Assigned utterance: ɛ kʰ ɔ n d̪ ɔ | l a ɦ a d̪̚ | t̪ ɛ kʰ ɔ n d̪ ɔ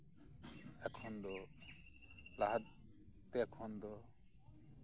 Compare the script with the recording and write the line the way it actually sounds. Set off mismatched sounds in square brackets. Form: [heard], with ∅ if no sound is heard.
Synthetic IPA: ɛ kʰ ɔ n d̪ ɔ | l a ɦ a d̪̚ | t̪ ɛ kʰ ɔ n d̪ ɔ